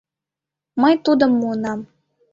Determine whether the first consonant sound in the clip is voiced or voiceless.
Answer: voiced